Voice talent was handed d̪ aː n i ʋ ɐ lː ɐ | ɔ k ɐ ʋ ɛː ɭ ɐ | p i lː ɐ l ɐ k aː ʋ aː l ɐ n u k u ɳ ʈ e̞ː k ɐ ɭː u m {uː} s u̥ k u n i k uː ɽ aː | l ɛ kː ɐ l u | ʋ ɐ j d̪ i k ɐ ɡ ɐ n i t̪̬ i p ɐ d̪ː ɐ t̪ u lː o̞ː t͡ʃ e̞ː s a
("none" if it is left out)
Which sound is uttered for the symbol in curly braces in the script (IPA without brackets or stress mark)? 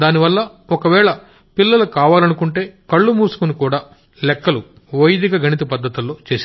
uː